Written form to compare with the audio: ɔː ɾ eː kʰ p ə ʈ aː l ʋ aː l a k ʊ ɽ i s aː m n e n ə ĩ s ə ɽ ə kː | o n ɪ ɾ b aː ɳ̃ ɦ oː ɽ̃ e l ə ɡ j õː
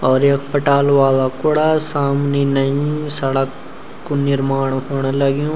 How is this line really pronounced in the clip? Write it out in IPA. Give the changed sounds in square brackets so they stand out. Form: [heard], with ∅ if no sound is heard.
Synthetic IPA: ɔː ɾ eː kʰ p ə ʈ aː l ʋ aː l a k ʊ ɽ [a] s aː m n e n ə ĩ s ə ɽ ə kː | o n ɪ ɾ [m] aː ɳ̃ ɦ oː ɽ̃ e l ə ɡ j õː